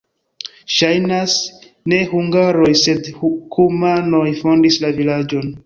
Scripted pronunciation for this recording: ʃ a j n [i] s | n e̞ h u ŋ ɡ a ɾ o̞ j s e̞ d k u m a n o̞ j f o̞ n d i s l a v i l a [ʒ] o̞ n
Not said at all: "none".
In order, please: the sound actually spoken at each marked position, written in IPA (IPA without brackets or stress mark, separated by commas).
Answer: a, d͡ʒ